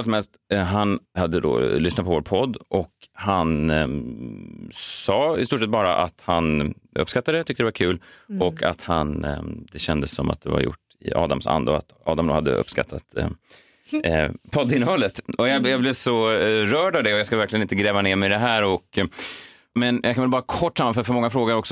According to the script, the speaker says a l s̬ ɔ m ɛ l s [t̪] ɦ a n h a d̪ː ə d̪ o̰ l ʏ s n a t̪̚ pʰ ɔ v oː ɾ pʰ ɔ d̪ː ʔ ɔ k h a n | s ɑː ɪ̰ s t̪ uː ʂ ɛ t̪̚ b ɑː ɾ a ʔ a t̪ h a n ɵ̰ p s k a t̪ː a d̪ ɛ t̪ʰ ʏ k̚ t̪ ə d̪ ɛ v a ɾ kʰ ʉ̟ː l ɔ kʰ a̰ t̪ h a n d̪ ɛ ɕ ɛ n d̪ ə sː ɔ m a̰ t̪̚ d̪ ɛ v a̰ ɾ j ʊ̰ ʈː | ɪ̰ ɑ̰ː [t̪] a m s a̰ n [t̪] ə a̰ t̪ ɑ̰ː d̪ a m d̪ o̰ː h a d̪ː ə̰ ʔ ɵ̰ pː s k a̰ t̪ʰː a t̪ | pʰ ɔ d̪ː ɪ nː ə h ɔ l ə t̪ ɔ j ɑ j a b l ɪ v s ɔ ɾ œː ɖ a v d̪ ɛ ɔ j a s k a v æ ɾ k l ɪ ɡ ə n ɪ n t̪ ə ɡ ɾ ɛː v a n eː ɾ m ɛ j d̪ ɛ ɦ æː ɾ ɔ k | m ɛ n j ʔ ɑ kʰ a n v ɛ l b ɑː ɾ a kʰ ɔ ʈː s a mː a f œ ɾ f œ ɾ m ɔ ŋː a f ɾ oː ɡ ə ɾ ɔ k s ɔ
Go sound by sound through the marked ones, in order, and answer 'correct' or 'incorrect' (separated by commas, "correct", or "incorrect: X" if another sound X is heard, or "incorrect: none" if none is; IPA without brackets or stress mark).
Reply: correct, incorrect: d̪, incorrect: d̪